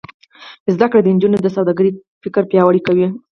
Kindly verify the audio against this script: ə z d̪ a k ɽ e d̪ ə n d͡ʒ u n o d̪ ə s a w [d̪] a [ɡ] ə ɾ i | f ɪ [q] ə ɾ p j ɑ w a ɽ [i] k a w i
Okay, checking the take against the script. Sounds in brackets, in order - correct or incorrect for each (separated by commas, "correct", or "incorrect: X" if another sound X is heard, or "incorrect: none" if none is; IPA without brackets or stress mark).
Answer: correct, correct, incorrect: k, correct